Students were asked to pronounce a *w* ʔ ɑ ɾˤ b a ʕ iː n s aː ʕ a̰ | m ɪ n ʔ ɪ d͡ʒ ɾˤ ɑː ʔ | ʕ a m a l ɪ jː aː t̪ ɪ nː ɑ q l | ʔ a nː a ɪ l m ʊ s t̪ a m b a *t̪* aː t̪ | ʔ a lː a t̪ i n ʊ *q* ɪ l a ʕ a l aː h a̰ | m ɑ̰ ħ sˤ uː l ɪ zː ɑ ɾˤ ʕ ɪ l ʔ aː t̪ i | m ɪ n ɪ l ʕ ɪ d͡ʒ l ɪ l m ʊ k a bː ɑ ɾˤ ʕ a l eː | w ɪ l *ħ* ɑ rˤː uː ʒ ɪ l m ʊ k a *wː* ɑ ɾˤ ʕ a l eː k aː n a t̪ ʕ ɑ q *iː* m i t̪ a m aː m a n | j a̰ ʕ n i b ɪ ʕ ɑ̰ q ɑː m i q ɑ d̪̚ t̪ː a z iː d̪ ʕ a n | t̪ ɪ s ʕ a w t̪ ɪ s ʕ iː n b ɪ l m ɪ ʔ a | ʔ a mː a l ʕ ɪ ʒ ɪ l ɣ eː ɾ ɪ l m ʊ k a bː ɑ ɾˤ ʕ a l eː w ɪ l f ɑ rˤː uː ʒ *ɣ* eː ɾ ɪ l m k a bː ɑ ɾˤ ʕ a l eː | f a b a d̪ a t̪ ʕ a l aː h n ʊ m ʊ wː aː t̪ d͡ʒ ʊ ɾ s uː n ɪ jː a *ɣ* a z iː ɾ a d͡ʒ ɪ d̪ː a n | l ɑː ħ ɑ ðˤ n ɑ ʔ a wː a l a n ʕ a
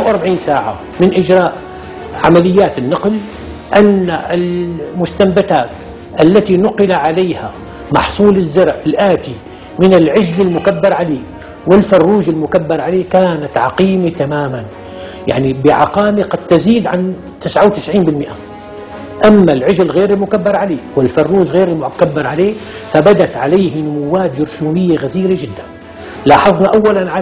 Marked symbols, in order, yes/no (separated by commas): yes, yes, yes, no, no, yes, yes, yes